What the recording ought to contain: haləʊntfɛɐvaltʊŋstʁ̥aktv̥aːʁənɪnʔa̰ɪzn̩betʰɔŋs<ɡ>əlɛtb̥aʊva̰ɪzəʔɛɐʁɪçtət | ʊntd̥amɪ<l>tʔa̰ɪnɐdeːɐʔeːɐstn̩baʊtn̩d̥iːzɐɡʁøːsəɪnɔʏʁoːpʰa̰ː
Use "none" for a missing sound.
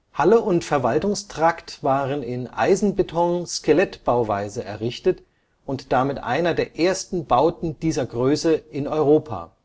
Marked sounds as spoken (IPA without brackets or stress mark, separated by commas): k, none